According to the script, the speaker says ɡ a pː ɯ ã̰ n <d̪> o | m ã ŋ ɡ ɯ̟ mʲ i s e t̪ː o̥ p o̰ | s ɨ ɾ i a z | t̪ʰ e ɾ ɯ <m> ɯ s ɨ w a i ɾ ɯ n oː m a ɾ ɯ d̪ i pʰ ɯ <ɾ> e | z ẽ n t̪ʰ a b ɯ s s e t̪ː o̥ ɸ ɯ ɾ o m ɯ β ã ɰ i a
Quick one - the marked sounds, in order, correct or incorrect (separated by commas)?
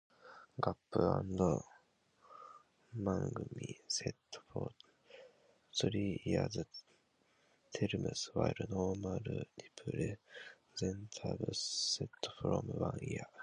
correct, correct, correct